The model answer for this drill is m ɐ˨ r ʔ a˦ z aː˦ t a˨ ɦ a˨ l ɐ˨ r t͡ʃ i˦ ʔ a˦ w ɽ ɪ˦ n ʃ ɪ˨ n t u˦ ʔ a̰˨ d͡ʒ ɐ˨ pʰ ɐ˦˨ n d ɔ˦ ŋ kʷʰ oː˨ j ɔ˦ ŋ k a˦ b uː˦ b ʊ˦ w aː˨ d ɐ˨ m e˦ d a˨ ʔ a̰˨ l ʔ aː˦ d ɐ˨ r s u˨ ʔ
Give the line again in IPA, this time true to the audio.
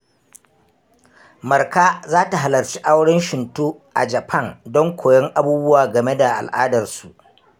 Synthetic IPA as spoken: m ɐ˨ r k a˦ z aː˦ t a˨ ɦ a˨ l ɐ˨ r t͡ʃ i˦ ʔ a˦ w ɽ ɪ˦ n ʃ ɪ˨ n t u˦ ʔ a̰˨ d͡ʒ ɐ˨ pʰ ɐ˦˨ n d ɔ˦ ŋ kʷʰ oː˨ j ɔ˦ ŋ ʔ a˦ b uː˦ b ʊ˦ w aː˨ ɡ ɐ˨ m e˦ d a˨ ʔ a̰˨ l ʔ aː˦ d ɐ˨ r s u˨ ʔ